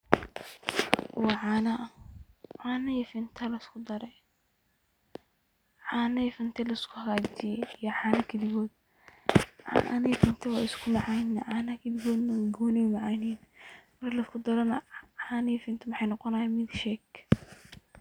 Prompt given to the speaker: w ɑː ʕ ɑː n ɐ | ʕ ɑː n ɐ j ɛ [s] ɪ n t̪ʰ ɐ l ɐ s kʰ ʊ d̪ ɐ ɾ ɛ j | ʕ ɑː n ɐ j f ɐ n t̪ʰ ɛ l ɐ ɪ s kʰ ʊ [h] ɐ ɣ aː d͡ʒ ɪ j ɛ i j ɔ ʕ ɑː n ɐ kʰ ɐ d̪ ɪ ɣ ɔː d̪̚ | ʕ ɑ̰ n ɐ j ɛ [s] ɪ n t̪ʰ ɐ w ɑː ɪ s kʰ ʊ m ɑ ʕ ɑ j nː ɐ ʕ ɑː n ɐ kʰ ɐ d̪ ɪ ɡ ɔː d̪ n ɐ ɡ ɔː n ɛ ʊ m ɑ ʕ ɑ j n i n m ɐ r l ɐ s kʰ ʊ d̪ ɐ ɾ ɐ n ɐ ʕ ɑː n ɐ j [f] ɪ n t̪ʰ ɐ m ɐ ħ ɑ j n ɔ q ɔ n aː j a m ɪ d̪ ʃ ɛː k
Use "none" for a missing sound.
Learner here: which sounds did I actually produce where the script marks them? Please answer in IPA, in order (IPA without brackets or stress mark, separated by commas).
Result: f, h, f, f